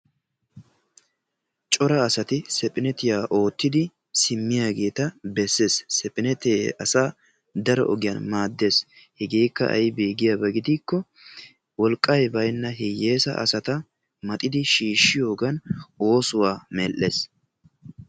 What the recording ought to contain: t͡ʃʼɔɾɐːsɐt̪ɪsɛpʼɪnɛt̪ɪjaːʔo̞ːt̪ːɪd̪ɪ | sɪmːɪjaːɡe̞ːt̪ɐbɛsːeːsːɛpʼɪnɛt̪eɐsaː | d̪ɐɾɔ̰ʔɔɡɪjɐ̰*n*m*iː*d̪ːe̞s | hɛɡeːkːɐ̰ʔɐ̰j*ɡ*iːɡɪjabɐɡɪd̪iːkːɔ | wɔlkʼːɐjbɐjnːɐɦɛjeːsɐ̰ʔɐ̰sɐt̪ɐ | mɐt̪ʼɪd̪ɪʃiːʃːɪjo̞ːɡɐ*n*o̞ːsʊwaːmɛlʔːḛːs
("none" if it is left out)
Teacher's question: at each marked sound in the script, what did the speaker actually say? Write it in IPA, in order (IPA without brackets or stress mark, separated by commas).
n, aː, b, n